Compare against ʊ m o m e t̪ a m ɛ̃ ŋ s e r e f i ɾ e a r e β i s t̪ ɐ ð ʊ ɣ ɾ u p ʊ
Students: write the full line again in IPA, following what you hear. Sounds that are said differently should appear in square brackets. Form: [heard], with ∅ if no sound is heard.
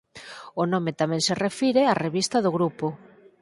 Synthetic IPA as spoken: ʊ [n] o m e t̪ a m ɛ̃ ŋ s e r e f i ɾ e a r e β i s t̪ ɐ ð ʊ ɣ ɾ u p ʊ

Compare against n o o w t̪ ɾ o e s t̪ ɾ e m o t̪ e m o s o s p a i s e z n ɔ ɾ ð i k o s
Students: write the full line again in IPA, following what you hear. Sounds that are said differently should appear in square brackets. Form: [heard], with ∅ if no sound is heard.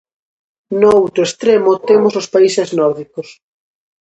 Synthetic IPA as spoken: n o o w t̪ ɾ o e s t̪ ɾ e m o t̪ e m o s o s p a i s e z n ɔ ɾ ð i k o s

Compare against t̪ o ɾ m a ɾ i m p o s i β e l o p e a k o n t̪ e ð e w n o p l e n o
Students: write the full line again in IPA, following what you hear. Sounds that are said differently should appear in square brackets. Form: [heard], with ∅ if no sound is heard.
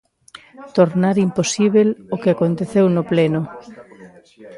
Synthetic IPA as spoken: t̪ o ɾ [n] a ɾ i m p o s i β e l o [k] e a k o n t̪ e [θ] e w n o p l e n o

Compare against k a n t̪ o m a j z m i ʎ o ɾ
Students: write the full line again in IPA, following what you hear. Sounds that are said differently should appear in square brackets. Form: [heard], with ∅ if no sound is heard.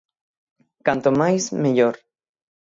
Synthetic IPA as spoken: k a n t̪ o m a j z m [e] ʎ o ɾ

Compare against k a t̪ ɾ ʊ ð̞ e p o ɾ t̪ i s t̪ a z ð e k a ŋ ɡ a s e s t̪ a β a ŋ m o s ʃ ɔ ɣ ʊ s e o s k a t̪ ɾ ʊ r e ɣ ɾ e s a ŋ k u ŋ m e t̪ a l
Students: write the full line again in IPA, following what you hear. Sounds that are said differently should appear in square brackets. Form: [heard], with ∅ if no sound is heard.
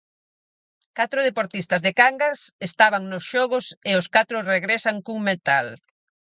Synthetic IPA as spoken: k a t̪ ɾ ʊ ð̞ e p o ɾ t̪ i s t̪ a z ð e k a ŋ ɡ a s e s t̪ a β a ŋ [n] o s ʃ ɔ ɣ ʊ s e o s k a t̪ ɾ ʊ r e ɣ ɾ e s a ŋ k u ŋ m e t̪ a l

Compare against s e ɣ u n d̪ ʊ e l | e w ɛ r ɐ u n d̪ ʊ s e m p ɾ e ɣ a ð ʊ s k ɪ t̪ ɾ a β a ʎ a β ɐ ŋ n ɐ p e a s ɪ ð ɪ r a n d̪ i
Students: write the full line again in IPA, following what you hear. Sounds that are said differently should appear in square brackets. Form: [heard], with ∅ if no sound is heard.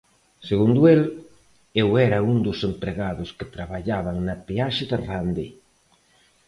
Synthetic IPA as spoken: s e ɣ u n d̪ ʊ e l | e w ɛ [ɾ] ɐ u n d̪ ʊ s e m p ɾ e ɣ a ð ʊ s k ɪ t̪ ɾ a β a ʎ a β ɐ ŋ n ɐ p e a [ʃ] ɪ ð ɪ r a n d̪ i

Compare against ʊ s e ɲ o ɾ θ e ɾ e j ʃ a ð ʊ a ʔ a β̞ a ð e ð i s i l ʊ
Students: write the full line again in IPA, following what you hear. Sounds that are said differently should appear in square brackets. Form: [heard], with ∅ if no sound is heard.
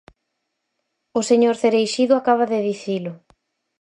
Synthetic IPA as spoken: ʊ s e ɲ o ɾ θ e ɾ e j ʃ [i] ð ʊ a [k] a β̞ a ð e ð i [θ] i l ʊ

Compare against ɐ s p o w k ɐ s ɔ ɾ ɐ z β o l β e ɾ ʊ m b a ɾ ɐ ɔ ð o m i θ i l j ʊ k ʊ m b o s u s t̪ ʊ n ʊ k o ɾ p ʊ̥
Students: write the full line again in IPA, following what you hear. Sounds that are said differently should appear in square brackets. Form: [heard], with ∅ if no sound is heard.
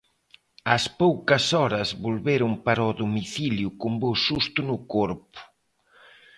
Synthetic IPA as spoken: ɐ s p o w k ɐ s ɔ ɾ ɐ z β o l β e ɾ ʊ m [p] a ɾ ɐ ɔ ð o m i θ i l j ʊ k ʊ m b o s u s t̪ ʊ n ʊ k o ɾ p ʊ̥

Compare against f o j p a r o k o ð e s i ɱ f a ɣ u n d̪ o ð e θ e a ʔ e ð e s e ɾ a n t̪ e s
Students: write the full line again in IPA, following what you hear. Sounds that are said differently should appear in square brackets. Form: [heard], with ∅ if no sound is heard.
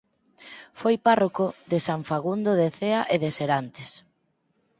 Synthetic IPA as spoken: f o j p a r o k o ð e s [a] ɱ f a ɣ u n d̪ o ð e θ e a ʔ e ð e s e ɾ a n t̪ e s

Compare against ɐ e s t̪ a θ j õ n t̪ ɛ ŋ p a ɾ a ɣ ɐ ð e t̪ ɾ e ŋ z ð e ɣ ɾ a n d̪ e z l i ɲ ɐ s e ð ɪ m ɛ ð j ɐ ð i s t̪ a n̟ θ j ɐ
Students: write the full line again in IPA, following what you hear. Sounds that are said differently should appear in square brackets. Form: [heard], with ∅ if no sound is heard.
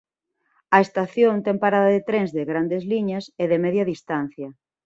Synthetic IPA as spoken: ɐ e s t̪ a θ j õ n t̪ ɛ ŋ p a ɾ a [ð] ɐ ð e t̪ ɾ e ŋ z ð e ɣ ɾ a n d̪ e z l i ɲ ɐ s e ð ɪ m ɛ ð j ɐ ð i s t̪ a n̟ θ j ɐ

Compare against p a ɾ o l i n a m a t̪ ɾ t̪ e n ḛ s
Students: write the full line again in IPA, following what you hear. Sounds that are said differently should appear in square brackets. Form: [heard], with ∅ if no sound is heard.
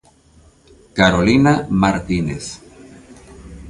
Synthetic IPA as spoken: [k] a ɾ o l i n a m a [∅] ɾ t̪ [i] n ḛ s

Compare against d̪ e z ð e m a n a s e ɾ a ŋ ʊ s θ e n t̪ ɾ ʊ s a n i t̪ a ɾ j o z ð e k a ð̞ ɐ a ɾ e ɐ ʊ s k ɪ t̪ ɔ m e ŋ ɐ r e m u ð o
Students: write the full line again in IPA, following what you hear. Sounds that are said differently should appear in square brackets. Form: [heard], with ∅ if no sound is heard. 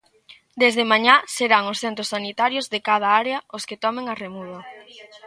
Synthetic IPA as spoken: d̪ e z ð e m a [ɲ] a s e ɾ a ŋ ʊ s θ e n t̪ ɾ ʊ s a n i t̪ a ɾ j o z ð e k a ð̞ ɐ a ɾ e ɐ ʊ s k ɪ t̪ ɔ m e ŋ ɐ r e m u ð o

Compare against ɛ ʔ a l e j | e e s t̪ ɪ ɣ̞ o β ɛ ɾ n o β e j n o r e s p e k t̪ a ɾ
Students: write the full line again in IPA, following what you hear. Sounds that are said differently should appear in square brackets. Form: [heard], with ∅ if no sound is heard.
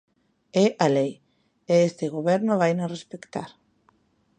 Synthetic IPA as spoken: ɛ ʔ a l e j | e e s t̪ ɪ ɣ̞ o β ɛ ɾ n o β [a] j n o r e s p e k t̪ a ɾ

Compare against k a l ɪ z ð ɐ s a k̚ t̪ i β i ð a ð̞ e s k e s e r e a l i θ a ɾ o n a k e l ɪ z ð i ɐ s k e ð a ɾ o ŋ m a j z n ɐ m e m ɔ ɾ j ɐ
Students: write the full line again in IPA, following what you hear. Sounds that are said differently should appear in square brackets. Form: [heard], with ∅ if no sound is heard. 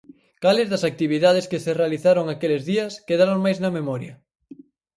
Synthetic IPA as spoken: k a l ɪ z ð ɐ s a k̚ t̪ i β i ð a ð̞ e s k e s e r e a l i θ a ɾ o [ŋ] a k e l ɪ z ð i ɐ s k e ð a ɾ o ŋ m a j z n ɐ m e m ɔ ɾ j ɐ

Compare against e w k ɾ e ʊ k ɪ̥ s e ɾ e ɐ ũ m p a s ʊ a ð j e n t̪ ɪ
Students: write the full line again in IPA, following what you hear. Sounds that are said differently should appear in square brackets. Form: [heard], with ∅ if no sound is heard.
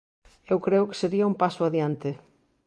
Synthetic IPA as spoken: e w k ɾ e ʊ k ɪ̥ s e ɾ [i] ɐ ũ m p a s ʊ a ð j [a] n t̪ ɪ

